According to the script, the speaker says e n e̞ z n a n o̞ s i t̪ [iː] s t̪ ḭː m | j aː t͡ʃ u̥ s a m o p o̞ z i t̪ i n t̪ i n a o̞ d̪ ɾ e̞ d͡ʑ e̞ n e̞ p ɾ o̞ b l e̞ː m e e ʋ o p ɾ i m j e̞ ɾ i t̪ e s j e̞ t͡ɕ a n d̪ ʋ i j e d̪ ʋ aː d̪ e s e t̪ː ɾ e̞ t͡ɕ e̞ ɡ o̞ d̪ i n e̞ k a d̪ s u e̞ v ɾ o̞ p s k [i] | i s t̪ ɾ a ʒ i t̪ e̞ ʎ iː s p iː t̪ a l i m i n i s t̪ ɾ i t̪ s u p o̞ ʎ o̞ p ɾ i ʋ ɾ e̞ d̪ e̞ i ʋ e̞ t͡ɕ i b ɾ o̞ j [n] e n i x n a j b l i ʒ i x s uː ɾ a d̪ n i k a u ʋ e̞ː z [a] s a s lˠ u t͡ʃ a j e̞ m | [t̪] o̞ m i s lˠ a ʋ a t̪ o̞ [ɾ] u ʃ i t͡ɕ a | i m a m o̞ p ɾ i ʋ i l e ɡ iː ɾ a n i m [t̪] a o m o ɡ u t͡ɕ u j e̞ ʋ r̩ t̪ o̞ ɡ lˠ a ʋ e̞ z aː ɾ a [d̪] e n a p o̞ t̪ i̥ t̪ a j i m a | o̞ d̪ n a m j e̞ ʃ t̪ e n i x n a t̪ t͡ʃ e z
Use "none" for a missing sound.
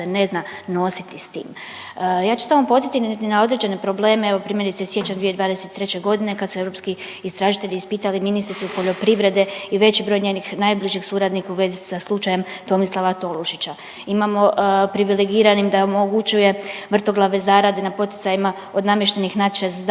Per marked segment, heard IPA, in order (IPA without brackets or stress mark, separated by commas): i, i, ɲ, i, t̪, l, d̪, d̪